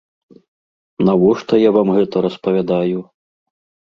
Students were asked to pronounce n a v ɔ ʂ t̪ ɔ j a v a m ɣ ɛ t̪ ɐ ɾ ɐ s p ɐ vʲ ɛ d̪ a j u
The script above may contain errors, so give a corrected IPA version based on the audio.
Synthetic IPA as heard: n a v ɔ ʂ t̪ ɔ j a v a m ɣ ɛ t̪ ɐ ɾ ɐ s p ɐ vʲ a d̪ a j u